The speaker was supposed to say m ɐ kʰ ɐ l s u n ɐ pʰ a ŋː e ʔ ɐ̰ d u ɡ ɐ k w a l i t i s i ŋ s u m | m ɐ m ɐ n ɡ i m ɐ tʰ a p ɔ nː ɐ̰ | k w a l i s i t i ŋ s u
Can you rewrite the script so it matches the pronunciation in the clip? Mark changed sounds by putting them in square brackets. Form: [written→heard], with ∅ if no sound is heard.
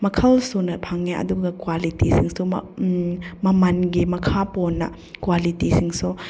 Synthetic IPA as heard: m ɐ kʰ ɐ l s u n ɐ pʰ a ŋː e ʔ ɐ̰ d u ɡ ɐ k w a l i t i s i ŋ s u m | m ɐ m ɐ n ɡ i m ɐ [tʰ→kʰ] a p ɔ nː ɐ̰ | k w a l i [s→t] i [t→s] i ŋ s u